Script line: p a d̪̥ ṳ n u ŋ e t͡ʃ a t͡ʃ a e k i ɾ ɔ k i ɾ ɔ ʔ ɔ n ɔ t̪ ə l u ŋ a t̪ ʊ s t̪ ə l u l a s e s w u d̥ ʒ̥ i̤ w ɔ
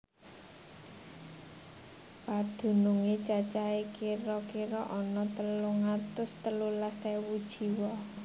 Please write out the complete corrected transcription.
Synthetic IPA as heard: p a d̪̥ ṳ n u ŋ e t͡ʃ a t͡ʃ a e k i ɾ ɔ k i ɾ ɔ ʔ ɔ n ɔ t̪ ə l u ŋ a t̪ ʊ s t̪ ə l u l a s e w u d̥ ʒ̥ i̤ w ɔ